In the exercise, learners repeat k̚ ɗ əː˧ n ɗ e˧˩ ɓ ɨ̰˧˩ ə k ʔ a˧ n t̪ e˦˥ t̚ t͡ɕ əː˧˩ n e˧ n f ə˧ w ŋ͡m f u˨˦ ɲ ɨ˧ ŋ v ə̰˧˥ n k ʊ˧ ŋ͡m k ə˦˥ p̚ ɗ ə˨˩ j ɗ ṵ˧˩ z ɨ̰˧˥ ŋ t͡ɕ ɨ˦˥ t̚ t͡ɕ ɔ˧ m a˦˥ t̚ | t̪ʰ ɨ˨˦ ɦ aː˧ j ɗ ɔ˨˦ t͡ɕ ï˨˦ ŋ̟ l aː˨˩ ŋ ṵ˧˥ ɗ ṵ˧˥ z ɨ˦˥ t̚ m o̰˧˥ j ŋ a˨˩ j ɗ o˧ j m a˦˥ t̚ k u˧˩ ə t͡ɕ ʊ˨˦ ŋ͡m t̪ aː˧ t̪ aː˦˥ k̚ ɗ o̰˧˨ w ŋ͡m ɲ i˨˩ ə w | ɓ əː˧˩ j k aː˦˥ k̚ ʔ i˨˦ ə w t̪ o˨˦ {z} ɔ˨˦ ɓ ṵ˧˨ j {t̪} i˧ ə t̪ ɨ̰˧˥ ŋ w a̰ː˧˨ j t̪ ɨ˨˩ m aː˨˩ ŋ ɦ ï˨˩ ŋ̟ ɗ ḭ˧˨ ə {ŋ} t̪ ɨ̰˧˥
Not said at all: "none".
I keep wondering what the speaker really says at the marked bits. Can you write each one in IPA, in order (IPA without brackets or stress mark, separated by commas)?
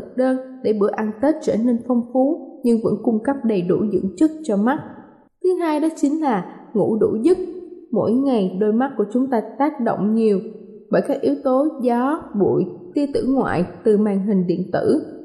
z, t̪, n